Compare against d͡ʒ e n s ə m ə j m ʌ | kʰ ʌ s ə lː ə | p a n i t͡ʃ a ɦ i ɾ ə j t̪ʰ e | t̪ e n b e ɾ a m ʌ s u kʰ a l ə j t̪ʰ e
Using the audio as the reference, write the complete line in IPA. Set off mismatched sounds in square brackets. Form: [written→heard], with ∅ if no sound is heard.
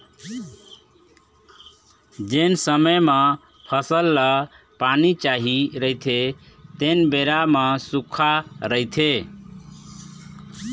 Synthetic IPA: d͡ʒ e n s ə m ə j m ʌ | [kʰ→pʰ] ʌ s ə lː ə | p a n i t͡ʃ a ɦ i ɾ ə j t̪ʰ e | t̪ e n b e ɾ a m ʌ s u kʰ a [l→ɾ] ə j t̪ʰ e